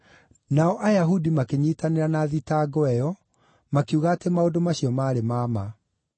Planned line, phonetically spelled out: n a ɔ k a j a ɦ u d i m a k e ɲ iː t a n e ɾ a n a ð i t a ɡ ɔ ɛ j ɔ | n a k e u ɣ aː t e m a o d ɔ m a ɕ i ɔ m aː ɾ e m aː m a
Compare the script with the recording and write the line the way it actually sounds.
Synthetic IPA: n a ɔ ʔ a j a ɦ u d i m a k e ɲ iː t a n e ɾ a n a ð i t a ɡ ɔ ɛ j ɔ | m a k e u ɣ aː t e m a o d o m a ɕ i ɔ m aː ɾ e m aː m a